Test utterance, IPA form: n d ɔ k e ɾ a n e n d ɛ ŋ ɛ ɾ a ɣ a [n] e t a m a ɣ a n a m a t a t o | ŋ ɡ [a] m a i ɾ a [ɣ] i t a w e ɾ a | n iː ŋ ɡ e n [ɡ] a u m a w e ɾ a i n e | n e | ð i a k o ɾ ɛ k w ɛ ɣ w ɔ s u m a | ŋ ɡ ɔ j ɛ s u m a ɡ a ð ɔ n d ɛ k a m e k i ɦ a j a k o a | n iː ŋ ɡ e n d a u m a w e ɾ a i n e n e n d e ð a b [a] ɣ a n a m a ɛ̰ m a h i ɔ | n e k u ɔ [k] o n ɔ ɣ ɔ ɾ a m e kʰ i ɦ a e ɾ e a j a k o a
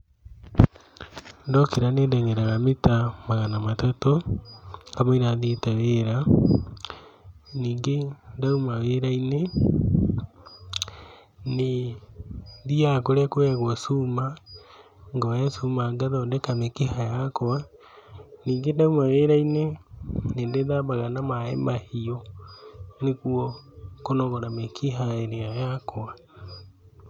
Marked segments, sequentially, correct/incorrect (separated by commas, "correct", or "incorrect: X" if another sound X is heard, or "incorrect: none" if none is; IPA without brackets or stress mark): incorrect: m, correct, incorrect: ð, incorrect: d, correct, correct